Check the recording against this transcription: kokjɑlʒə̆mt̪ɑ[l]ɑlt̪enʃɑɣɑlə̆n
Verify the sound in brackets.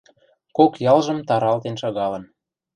incorrect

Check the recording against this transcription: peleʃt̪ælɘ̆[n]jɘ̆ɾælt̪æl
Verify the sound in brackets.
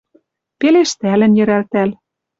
correct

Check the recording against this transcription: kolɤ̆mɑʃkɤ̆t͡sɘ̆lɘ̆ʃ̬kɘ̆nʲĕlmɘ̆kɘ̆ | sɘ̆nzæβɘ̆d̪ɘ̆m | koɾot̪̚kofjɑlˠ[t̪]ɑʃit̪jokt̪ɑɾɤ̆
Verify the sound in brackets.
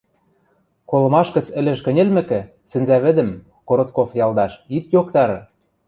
incorrect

